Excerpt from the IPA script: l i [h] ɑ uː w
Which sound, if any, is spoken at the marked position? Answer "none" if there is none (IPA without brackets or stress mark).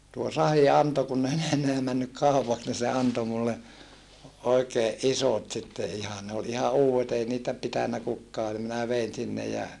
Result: h